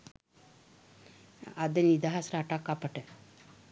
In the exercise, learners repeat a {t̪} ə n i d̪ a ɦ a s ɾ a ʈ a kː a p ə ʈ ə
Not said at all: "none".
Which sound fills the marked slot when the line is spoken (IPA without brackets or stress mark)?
d̪